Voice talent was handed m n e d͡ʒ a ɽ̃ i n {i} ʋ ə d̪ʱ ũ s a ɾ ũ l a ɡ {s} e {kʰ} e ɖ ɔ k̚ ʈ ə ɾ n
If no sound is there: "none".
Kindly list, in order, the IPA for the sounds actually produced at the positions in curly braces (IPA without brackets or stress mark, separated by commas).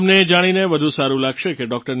e, ʃ, k